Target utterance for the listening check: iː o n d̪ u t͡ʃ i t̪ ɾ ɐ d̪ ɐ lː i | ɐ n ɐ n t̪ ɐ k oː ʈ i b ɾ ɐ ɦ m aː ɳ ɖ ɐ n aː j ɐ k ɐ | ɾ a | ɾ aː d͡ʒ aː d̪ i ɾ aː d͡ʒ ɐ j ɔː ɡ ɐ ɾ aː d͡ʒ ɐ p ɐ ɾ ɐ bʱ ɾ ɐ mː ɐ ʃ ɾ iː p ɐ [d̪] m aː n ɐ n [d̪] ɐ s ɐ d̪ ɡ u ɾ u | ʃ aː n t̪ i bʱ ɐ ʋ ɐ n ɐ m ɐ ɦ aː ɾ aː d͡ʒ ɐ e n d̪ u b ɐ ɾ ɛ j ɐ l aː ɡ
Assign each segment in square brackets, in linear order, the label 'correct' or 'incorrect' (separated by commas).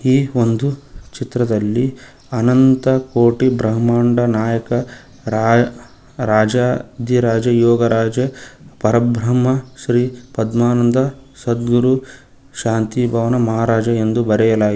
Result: correct, correct